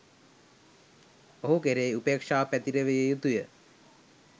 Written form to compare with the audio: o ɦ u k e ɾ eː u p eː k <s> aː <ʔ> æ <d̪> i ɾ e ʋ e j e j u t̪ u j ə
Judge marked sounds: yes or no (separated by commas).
no, no, no